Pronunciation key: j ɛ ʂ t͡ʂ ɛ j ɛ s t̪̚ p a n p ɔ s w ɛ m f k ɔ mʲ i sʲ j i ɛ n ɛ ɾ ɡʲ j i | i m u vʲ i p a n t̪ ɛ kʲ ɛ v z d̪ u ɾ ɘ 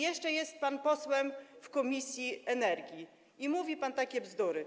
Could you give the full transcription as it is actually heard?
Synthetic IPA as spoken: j ɛ ʂ t͡ʂ ɛ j ɛ s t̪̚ p a n p ɔ s w ɛ m f k ɔ mʲ i sʲ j i ɛ n ɛ ɾ ɡʲ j i | i m u vʲ i p a n t̪ a kʲ ɛ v z d̪ u ɾ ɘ